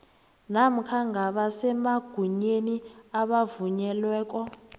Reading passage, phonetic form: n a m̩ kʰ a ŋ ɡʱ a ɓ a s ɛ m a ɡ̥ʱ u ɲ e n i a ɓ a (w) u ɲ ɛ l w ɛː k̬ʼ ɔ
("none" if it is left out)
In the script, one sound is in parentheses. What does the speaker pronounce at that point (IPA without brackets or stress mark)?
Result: v